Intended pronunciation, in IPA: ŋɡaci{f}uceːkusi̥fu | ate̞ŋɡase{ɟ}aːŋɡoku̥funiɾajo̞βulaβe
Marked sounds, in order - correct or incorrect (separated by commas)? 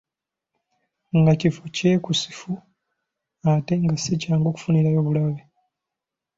correct, incorrect